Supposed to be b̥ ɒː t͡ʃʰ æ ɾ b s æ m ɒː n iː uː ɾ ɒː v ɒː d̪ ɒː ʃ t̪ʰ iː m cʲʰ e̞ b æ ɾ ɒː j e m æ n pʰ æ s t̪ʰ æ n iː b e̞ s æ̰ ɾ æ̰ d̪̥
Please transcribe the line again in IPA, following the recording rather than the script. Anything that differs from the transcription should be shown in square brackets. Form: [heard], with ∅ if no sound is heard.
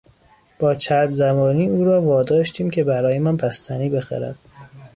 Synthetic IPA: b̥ ɒː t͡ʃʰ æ ɾ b [z] æ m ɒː n iː uː ɾ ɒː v ɒː d̪ ɒː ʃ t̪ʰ iː m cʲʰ e̞ b æ ɾ ɒː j e m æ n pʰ æ s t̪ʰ æ n iː b e̞ [x] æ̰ ɾ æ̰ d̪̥